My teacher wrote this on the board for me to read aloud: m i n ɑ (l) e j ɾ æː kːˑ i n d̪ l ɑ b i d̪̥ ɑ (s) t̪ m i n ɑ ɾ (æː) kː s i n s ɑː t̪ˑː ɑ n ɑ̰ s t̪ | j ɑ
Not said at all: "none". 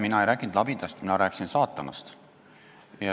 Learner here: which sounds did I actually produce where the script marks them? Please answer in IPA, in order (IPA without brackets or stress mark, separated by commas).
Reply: none, s, æː